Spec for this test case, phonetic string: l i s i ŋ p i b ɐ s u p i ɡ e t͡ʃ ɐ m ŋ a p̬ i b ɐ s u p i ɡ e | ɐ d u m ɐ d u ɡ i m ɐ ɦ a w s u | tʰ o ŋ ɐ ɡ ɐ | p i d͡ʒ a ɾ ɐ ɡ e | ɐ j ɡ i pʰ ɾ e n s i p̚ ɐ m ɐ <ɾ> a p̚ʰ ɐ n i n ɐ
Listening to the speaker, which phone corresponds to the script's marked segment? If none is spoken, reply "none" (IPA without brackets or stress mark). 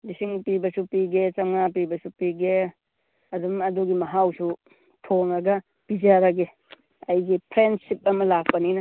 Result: l